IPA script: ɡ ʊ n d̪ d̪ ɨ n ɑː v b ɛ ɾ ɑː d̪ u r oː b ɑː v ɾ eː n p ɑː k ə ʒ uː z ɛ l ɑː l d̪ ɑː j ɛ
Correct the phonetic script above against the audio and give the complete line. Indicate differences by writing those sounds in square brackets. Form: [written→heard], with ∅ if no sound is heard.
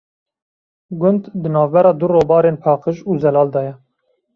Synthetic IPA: ɡ ʊ n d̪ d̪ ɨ n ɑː v b ɛ ɾ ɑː d̪ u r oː b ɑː [v→∅] ɾ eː n [p→pʰ] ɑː [k→q] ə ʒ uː z ɛ l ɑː l d̪ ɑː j ɛ